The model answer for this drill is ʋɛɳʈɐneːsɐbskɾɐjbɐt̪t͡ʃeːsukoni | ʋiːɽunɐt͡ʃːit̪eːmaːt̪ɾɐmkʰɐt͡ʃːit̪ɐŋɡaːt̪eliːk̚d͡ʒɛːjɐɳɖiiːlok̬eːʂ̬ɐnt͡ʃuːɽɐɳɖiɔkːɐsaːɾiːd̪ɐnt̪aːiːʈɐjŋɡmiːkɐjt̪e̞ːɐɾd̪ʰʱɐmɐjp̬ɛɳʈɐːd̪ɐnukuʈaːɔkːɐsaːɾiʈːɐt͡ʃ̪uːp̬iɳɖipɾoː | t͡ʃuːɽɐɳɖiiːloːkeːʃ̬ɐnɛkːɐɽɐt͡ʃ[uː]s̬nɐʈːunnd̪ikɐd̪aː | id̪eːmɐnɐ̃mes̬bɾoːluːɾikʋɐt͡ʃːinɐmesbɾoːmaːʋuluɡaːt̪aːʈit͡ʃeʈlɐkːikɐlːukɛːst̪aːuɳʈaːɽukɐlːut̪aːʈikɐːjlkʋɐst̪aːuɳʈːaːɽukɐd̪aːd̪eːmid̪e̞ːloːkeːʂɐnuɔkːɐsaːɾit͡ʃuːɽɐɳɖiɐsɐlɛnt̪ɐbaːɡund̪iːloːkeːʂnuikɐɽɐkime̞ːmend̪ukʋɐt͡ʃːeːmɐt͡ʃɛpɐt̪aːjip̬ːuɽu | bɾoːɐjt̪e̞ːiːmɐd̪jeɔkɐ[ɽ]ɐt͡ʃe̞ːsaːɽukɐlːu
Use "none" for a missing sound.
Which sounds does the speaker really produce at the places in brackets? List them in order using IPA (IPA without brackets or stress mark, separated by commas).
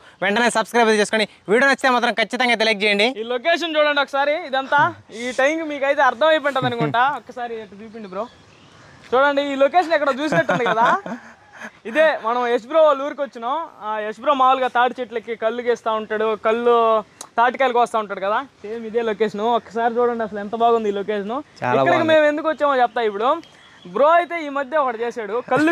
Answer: uː, ɽ